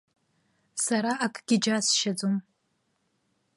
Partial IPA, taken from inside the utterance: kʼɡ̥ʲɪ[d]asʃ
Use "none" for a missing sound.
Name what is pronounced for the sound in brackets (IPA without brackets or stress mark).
d͡ʒ